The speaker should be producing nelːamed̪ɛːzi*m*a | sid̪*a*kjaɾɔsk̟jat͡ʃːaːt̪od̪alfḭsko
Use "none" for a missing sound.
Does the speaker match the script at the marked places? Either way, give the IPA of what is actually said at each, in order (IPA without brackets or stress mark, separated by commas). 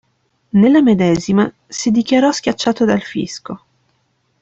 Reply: m, i